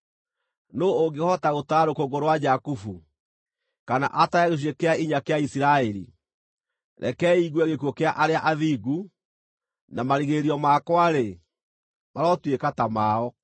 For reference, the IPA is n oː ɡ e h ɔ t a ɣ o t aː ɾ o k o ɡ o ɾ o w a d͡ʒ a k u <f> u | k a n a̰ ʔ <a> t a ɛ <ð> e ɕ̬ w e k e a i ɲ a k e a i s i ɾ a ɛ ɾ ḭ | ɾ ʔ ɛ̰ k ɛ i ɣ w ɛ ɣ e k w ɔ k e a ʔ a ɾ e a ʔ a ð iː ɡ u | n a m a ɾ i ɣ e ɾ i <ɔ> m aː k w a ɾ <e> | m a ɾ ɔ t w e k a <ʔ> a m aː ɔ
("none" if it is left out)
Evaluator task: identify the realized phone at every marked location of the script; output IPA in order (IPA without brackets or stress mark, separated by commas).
f, a, ɣ, ɔ, e, t